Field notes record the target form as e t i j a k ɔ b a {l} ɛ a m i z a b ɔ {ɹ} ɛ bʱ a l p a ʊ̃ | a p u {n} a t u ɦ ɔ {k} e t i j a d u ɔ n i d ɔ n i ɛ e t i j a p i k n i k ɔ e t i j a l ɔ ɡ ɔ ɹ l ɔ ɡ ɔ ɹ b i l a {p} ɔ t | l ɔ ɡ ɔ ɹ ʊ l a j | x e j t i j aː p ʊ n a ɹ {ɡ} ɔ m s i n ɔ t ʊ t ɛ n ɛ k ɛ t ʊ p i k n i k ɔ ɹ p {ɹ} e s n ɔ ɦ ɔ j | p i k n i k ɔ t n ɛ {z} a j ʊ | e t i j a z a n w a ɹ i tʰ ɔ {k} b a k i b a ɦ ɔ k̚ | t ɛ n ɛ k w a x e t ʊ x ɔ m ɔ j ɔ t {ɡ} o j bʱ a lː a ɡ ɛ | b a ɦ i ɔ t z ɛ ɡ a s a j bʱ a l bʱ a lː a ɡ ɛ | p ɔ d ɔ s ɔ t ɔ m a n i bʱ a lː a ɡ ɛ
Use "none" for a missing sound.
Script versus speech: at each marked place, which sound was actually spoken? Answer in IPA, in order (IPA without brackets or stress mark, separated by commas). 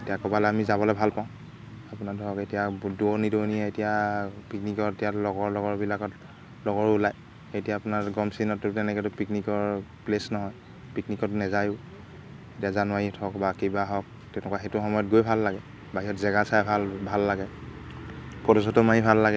l, l, n, k, k, ɡ, l, z, k, ɡ